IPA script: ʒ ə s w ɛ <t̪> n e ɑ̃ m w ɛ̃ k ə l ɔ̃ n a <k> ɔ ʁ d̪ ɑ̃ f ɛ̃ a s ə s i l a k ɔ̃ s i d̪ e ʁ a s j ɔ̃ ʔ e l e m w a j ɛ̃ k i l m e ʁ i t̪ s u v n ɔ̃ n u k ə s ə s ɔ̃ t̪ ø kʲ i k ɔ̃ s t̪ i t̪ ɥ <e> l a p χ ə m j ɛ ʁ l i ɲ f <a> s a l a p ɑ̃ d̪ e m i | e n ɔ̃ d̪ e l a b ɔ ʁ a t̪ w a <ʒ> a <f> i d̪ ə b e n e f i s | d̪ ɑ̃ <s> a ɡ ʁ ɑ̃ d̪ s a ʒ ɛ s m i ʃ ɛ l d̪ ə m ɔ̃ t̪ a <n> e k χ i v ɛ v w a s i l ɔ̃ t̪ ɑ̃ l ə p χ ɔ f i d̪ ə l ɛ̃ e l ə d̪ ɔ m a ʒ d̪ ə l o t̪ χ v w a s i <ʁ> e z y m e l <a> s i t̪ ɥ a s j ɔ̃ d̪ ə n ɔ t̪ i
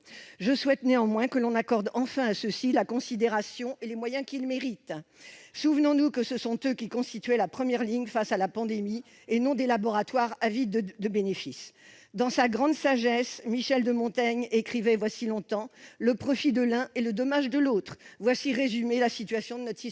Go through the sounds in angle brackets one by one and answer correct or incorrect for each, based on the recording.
correct, correct, incorrect: ɛ, correct, incorrect: ʁ, incorrect: v, correct, incorrect: ɲ, correct, correct

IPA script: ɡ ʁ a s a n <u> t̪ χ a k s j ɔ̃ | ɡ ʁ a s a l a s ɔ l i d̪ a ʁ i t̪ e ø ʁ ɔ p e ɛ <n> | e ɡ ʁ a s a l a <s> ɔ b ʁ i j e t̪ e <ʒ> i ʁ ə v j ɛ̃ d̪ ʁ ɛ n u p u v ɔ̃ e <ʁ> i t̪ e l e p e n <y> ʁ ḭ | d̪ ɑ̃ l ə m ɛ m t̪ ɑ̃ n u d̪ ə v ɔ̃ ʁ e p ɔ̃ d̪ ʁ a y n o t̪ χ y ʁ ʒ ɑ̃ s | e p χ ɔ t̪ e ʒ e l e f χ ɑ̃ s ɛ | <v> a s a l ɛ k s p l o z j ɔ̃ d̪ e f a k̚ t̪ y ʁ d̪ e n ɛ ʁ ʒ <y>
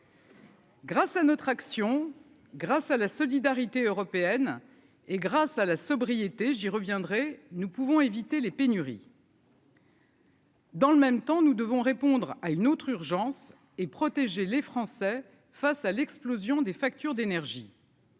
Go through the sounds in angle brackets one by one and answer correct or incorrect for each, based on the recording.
incorrect: ɔ, correct, correct, correct, incorrect: v, correct, incorrect: f, incorrect: i

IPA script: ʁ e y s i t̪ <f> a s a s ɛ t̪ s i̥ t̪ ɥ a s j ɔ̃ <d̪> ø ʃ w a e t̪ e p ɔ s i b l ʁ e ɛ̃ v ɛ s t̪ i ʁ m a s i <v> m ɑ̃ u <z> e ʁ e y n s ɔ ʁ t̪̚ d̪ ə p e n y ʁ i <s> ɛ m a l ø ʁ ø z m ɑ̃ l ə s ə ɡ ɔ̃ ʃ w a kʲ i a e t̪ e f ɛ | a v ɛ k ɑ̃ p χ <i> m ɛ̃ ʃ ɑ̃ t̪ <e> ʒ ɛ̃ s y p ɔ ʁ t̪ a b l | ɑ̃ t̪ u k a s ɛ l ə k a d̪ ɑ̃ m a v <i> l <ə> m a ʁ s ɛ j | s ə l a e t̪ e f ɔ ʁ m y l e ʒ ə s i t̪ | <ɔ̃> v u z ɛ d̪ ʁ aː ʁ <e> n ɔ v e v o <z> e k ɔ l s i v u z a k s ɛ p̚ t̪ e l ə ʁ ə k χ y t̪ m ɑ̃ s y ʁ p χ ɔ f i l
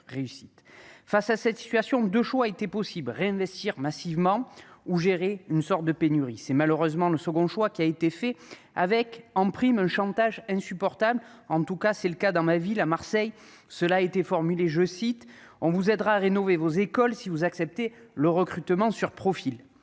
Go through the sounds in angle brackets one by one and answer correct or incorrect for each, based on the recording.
correct, correct, correct, incorrect: ʒ, correct, correct, incorrect: a, correct, incorrect: a, correct, correct, correct

